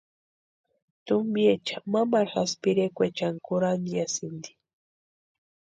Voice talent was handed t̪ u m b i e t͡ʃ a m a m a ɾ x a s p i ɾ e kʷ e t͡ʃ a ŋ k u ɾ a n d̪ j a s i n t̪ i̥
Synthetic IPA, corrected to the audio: t̪ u m b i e t͡ʃ a m a m a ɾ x a s p i ɾ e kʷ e t͡ʃ a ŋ k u ɾ a n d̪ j a s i n d̪ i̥

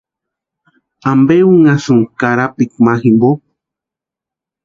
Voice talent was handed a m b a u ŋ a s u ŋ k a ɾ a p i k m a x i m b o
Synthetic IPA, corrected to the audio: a m b e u ŋ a s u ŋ k a ɾ a p i k m a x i m b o

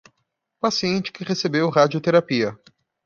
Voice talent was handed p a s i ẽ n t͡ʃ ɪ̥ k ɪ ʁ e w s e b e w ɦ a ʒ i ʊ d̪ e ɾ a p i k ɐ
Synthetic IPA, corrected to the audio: p a s i ẽ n t͡ʃ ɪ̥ k ɪ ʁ e s e b e w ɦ a d͡ʒ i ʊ t̪ e ɾ a p i ɐ

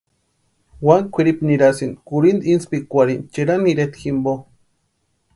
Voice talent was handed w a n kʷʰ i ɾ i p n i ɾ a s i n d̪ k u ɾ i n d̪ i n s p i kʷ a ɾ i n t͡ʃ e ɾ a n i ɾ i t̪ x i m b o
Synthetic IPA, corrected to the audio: w a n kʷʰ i ɾ i p n i ɾ a s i n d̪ k u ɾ i n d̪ i n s p i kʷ a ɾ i n t͡ʃ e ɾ a n i ɾ e t̪ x i m b o

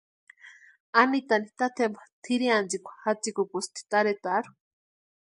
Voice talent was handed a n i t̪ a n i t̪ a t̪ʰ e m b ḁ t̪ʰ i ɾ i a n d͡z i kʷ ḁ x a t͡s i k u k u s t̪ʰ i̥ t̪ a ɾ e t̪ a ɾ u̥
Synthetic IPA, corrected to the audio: a n i t̪ a n i t̪ a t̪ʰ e m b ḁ t̪ʰ i ɾ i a n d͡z i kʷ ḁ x a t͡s i k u k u s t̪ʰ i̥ t̪ a ɾ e t̪ a ɾ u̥

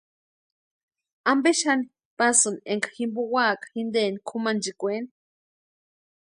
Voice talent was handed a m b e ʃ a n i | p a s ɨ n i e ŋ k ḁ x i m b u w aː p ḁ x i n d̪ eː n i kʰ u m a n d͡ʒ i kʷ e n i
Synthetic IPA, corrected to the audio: a m b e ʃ a n i | p a s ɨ n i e ŋ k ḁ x i m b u w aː k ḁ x i n d̪ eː n i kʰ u m a n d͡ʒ i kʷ e n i

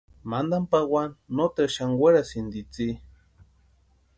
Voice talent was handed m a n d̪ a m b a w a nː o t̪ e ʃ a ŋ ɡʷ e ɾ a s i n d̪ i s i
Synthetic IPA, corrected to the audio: m a n d̪ a m p a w a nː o t̪ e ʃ a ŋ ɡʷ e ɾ a s i n d̪ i t͡s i

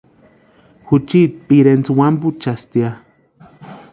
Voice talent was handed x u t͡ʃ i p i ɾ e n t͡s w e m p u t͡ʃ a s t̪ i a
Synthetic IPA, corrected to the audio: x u t͡ʃ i p i ɾ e n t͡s w a m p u t͡ʃ a s t̪ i a

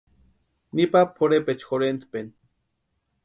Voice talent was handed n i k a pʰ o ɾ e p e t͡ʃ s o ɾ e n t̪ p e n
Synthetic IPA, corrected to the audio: n i p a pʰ o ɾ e p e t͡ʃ x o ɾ e n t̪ p e n

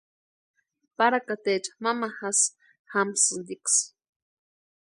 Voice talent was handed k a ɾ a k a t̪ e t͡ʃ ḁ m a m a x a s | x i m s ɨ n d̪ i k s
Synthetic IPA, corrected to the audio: p a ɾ a k a t̪ e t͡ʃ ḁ m a m a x a s | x a m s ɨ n d̪ i k s

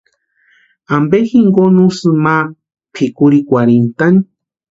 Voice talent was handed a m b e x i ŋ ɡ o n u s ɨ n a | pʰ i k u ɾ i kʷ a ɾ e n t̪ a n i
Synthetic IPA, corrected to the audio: a m b e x i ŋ ɡ o n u s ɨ m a | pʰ i k u ɾ i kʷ a ɾ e n t̪ a n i

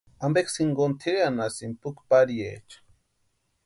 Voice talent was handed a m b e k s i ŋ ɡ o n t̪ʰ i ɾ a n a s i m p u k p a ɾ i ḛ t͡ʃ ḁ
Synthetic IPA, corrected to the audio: a m b e k s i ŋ ɡ o n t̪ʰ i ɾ a n a s i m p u k p a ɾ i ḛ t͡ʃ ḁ

